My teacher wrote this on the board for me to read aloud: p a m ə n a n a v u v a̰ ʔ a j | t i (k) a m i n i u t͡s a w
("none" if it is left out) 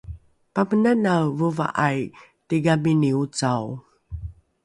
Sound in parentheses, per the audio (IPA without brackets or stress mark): ɡ